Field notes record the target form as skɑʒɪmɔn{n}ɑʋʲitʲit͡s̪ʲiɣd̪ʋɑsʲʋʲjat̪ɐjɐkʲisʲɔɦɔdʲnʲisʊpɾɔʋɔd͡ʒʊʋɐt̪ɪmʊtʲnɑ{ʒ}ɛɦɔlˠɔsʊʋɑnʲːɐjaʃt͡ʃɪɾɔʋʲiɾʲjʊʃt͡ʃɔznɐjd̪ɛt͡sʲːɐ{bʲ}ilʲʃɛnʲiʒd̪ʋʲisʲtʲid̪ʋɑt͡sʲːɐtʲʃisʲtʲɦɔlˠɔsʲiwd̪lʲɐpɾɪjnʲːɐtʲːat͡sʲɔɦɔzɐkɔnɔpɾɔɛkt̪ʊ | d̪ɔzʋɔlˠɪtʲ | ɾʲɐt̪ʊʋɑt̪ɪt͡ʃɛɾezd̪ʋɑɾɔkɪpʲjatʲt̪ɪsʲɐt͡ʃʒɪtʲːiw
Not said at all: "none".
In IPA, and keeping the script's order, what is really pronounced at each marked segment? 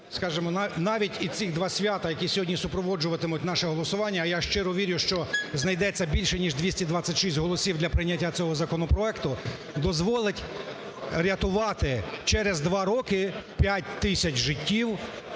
n, ʃ, bʲ

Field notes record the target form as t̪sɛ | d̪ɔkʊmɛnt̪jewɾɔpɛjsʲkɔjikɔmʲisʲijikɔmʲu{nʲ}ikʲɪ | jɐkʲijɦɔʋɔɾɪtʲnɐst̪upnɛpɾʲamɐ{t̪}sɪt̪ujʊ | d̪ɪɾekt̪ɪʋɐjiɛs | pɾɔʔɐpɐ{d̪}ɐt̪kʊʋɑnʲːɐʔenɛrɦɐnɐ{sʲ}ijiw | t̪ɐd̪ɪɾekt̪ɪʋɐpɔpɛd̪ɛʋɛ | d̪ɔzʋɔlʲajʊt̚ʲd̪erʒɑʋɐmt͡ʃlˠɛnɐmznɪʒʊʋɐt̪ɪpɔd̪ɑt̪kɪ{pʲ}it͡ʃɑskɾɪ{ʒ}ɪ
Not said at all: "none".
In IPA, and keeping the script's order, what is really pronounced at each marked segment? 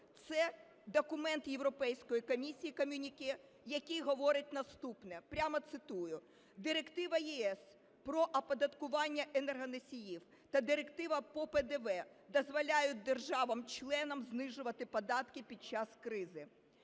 nʲ, t̪, d̪, sʲ, pʲ, z

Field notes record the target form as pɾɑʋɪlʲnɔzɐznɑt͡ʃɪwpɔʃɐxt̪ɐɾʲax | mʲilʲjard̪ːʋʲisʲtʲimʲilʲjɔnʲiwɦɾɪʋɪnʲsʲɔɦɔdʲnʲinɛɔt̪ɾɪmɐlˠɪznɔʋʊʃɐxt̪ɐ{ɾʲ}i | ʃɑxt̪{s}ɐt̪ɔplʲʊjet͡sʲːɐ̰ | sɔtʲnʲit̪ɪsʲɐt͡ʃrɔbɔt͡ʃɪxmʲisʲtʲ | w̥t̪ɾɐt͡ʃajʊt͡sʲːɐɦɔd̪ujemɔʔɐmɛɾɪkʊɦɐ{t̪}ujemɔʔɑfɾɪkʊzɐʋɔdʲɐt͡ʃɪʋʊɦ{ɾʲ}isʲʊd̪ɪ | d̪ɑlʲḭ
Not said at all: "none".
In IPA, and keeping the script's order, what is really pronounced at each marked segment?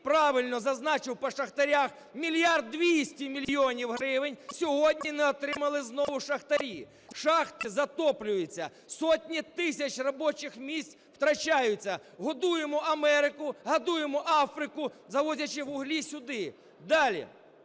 ɾʲ, z, d̪, lʲ

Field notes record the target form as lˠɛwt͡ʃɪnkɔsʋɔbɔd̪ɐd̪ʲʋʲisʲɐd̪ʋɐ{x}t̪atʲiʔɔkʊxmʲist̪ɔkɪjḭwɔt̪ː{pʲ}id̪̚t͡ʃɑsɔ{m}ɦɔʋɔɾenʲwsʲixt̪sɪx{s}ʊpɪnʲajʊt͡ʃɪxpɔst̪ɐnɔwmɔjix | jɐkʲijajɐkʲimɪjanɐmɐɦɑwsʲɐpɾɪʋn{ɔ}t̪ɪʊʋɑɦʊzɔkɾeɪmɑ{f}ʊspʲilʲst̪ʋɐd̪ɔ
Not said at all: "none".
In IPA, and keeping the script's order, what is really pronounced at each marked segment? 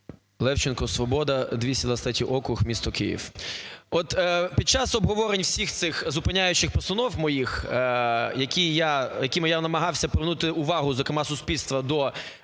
s, pʲ, b, z, u, s

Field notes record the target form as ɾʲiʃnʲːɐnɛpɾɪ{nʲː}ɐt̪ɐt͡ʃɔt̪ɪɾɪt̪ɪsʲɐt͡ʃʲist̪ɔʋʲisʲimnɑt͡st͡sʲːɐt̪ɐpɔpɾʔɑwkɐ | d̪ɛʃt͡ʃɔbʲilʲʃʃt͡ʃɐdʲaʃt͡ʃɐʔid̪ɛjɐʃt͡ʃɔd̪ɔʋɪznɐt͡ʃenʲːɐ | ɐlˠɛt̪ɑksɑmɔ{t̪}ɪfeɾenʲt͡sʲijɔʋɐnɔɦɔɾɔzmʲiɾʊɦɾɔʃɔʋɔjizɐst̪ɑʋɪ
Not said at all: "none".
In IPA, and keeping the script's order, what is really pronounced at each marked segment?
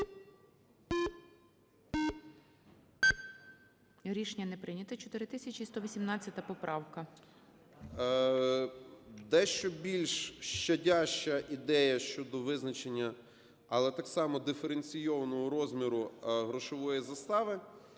nʲ, d̪

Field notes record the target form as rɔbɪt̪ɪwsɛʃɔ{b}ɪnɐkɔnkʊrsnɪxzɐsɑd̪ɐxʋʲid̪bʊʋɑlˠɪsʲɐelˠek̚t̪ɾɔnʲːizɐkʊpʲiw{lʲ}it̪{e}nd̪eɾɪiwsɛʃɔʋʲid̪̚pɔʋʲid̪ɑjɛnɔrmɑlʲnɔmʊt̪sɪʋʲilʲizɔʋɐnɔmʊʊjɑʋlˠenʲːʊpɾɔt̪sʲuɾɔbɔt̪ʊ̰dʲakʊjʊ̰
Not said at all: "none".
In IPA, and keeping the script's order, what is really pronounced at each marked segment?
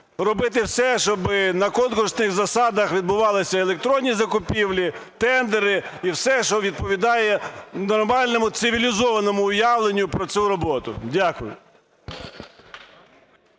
b, lʲ, ɛ

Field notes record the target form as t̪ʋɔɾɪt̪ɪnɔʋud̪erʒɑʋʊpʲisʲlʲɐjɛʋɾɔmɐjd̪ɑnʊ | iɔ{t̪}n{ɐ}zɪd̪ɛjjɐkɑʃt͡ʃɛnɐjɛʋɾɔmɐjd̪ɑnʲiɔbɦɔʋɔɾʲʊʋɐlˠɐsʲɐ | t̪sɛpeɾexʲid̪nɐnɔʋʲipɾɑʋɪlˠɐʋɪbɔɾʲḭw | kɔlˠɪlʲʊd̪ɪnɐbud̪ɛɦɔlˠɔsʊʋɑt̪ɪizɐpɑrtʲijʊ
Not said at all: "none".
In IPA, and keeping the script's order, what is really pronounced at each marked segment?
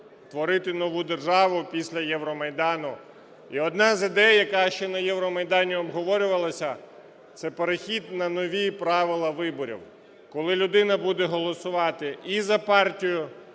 d̪, ɑ

